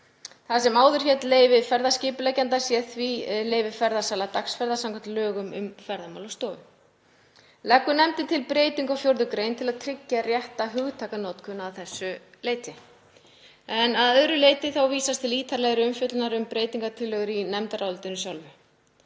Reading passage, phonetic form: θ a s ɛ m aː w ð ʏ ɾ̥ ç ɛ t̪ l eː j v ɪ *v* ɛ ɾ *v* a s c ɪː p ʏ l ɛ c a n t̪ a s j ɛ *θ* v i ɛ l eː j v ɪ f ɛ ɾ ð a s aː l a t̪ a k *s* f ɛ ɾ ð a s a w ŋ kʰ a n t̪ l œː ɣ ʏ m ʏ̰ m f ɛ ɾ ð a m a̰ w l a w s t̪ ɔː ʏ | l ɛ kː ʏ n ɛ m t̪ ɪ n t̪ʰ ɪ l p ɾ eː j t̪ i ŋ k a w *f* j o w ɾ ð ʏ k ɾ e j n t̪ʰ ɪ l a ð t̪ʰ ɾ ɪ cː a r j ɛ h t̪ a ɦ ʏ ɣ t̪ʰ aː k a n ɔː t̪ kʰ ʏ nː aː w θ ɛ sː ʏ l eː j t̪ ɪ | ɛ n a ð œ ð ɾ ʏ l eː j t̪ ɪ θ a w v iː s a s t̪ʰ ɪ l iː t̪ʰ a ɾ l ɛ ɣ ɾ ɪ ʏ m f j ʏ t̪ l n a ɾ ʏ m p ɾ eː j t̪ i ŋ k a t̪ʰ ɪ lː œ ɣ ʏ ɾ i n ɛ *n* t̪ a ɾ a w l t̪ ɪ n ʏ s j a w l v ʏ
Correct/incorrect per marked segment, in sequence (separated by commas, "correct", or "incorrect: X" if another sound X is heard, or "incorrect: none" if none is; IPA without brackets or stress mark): incorrect: f, incorrect: ð, correct, correct, correct, incorrect: m